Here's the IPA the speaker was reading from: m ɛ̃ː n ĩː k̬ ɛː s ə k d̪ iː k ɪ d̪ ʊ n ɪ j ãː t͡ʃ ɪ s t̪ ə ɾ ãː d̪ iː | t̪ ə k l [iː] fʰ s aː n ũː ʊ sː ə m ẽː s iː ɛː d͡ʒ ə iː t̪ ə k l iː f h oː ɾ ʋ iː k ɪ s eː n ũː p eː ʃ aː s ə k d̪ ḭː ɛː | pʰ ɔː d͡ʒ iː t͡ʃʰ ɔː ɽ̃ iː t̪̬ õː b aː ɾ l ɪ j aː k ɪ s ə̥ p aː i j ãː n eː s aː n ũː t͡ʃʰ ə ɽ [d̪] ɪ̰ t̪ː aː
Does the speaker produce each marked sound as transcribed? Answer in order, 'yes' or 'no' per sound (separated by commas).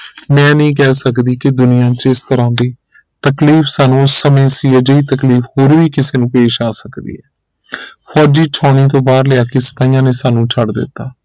yes, yes